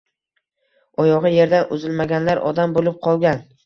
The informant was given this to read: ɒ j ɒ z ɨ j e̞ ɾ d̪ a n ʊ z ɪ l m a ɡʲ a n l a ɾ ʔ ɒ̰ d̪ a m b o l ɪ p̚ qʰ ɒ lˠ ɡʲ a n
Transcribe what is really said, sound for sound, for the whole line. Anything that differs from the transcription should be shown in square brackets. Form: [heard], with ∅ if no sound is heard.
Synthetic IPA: ɒ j ɒ [ʁ] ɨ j e̞ ɾ d̪ a n ʊ z ɪ l m a ɡʲ a n l a ɾ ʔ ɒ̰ d̪ a m b o l ɪ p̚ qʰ ɒ lˠ ɡʲ a n

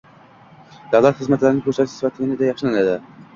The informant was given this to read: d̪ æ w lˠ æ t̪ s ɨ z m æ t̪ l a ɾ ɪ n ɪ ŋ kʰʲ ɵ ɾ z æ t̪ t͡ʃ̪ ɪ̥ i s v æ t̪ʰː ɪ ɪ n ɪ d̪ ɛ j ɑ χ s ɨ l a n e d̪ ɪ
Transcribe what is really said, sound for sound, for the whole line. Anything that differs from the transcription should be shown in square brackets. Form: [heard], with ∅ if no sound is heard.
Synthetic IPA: d̪ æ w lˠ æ t̪ [χ] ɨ z m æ t̪ l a ɾ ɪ n ɪ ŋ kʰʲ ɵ ɾ [s] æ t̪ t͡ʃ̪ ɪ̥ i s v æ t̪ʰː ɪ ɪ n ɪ d̪ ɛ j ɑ χ [ʃ] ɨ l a n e d̪ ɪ

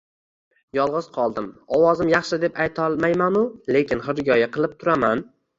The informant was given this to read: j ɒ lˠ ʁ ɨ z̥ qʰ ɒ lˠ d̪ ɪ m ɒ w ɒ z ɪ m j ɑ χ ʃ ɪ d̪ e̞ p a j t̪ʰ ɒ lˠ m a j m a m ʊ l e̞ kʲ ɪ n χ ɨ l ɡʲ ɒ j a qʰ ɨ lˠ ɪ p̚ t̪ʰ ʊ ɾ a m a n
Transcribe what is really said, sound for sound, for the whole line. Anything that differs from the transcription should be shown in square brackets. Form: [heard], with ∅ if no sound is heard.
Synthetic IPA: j ɒ lˠ ʁ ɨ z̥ qʰ ɒ lˠ d̪ ɪ m ɒ w ɒ z ɪ m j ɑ χ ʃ ɪ d̪ e̞ p a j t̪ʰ ɒ lˠ m a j m a [n] ʊ l e̞ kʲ ɪ n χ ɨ [ɾ] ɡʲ ɒ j a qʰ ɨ lˠ ɪ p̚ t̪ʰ ʊ ɾ a m a n

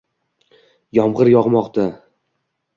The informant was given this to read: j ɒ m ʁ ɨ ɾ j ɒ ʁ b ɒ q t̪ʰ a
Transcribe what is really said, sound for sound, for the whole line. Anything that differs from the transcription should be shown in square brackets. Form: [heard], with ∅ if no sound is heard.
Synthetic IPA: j ɒ m ʁ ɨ ɾ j ɒ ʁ [m] ɒ q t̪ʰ a

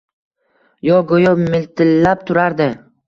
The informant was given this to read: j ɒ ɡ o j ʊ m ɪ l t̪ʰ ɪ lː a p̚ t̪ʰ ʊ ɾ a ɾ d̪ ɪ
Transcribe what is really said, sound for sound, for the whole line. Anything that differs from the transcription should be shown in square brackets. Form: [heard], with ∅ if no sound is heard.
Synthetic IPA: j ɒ ɡ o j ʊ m ɪ l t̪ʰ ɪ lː a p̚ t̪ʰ ʊ ɾ a ɾ d̪ ɪ

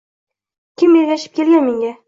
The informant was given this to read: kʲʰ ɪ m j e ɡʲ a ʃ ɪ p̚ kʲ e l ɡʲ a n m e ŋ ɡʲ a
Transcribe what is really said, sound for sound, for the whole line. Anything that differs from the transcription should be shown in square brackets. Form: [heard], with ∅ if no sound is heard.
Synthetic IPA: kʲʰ ɪ m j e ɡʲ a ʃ ɪ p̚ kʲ e l ɡʲ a n m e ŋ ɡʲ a

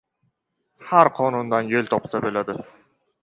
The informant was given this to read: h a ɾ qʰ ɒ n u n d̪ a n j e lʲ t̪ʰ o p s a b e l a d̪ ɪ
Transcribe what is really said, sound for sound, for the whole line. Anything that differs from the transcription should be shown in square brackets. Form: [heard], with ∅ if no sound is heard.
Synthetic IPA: h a ɾ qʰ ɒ n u n d̪ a n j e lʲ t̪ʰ [ɒ] p s a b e l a d̪ ɪ

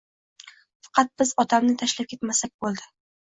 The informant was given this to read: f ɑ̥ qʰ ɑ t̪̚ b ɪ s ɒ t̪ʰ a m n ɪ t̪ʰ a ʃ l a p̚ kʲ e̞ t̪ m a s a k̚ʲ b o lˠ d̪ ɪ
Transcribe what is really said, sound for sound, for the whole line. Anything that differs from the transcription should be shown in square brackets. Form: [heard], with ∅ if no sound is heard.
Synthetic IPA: f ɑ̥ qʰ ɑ t̪̚ b ɪ [z] ɒ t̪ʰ a m n ɪ t̪ʰ a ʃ l a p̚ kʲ e̞ t̪ m a s a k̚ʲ b o lˠ d̪ ɪ

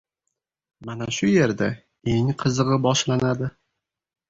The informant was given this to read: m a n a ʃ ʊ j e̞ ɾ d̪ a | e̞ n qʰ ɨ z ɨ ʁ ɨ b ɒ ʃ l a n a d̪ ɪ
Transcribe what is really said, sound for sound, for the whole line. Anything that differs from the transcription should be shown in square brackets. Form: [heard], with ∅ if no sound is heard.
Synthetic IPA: m a n a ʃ ʊ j e̞ ɾ d̪ a | e̞ [ŋ] qʰ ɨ z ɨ ʁ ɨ b ɒ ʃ l a n a d̪ ɪ

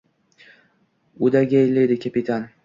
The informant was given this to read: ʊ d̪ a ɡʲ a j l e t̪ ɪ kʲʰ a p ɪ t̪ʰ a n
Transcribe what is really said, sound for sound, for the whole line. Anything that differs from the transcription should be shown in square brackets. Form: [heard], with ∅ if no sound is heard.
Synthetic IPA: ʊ d̪ a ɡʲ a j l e [d̪] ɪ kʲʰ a p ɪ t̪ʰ a n

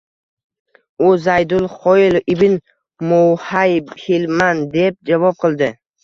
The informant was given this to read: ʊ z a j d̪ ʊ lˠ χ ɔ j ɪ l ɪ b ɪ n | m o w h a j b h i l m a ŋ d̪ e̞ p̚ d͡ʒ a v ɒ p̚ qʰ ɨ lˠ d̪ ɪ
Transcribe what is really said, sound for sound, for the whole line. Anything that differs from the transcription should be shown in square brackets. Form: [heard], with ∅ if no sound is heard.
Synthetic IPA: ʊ z a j d̪ ʊ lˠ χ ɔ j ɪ l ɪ b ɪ n | m o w h a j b h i l m a [n] d̪ e̞ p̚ d͡ʒ a v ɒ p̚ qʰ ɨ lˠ d̪ ɪ

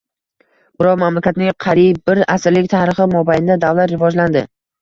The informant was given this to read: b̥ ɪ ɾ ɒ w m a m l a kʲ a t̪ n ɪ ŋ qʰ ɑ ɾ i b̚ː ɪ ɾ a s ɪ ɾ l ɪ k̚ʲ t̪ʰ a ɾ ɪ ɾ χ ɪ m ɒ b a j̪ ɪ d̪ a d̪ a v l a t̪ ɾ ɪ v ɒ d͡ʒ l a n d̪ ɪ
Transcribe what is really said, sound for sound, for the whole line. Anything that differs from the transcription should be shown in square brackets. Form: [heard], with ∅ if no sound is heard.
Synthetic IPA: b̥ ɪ ɾ ɒ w m a m l a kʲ a t̪ n ɪ ŋ qʰ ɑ ɾ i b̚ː ɪ ɾ a s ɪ ɾ l ɪ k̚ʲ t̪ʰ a ɾ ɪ [∅] χ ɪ m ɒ b a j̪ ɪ d̪ a d̪ a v l a t̪ ɾ ɪ v ɒ d͡ʒ l a n d̪ ɪ

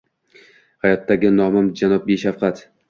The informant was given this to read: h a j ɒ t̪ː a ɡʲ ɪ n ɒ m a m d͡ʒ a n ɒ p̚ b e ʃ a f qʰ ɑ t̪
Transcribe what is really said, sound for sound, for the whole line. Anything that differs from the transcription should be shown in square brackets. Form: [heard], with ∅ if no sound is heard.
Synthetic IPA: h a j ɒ t̪ː a ɡʲ ɪ n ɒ m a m d͡ʒ a n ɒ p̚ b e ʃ a f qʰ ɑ t̪

